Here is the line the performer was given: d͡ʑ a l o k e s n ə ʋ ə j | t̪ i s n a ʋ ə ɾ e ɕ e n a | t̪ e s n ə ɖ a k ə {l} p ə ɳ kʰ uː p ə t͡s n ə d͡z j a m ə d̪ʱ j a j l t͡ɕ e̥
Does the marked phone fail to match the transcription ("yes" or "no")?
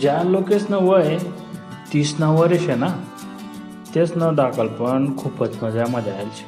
no